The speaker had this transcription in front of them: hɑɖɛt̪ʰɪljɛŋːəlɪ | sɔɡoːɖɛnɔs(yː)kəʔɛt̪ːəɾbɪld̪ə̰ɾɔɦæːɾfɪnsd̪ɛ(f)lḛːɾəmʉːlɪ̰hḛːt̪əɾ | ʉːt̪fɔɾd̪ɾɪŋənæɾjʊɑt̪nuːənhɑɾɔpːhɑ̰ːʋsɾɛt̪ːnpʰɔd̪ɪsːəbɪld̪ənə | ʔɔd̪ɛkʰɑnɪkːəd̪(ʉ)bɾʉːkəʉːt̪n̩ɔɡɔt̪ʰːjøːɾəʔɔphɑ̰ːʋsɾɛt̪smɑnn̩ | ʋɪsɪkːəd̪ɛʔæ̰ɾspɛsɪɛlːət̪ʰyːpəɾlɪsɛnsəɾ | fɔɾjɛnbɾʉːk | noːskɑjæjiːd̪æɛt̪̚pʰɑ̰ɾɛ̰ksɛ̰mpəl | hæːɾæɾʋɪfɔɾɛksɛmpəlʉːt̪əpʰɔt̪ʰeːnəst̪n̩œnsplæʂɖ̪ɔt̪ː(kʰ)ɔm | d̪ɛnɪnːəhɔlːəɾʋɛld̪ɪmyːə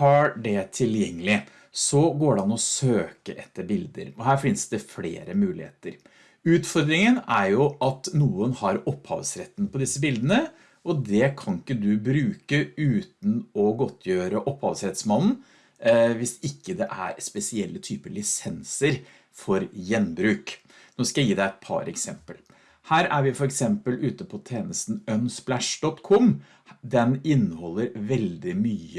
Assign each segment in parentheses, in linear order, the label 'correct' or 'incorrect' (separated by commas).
incorrect, correct, correct, correct